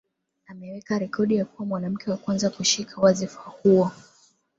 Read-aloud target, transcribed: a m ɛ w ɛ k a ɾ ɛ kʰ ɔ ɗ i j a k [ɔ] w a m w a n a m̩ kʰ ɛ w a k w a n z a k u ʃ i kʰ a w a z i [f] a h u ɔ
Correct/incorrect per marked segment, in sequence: incorrect: u, correct

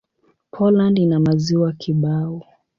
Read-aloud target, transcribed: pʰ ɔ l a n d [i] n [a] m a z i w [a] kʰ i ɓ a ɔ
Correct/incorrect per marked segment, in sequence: correct, correct, correct

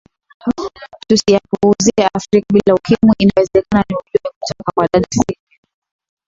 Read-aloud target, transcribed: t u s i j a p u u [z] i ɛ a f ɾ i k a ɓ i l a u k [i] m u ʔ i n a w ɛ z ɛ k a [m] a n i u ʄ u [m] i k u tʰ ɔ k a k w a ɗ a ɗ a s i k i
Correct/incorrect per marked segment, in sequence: correct, correct, incorrect: n, correct

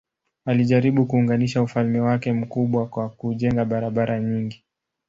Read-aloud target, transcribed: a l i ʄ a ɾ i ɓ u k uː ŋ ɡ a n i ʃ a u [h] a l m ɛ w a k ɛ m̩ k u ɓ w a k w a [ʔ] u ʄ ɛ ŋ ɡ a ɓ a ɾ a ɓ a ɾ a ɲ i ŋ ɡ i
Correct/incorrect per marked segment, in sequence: incorrect: f, incorrect: k

